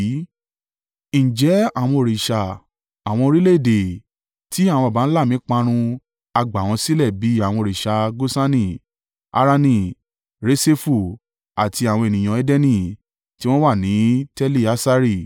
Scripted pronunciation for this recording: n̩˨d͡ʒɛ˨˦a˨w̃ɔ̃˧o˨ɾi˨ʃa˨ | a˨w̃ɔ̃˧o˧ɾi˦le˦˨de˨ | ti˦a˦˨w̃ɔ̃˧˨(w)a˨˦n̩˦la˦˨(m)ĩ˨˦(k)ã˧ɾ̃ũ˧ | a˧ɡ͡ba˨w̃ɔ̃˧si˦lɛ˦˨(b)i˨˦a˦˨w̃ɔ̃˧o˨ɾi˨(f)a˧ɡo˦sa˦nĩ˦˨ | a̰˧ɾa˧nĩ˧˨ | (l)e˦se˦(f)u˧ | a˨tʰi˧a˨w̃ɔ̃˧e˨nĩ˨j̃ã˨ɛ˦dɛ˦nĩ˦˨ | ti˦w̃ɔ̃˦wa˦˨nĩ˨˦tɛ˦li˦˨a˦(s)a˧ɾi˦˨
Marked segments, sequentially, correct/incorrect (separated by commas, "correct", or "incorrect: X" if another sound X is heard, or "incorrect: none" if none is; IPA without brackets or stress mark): incorrect: b, correct, incorrect: k͡p, correct, incorrect: ʃ, incorrect: ɾ, correct, correct